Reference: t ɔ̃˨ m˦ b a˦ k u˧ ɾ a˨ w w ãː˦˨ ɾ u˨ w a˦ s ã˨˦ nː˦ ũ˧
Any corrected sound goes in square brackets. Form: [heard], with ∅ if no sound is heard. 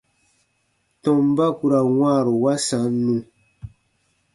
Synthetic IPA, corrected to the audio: t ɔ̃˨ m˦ b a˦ k u˧ ɾ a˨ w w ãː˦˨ ɾ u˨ w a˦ s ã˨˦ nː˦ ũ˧